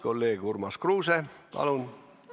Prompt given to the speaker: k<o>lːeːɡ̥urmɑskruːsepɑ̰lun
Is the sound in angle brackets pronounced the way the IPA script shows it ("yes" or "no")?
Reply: yes